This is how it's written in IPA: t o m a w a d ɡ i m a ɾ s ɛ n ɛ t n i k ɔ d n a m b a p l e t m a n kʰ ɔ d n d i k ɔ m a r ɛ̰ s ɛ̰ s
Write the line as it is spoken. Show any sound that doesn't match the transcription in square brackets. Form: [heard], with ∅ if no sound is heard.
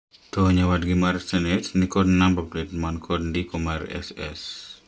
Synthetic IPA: t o [ɲ] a w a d ɡ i m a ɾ s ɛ n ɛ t n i k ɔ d n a m b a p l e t m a n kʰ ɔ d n d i k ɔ m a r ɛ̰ s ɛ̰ s